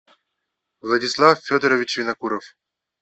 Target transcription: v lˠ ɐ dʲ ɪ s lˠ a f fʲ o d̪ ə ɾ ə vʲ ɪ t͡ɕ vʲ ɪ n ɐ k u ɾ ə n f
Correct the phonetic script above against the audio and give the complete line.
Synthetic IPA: v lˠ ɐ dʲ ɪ s lˠ a f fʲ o d̪ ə ɾ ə vʲ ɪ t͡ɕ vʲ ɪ n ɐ k u ɾ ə f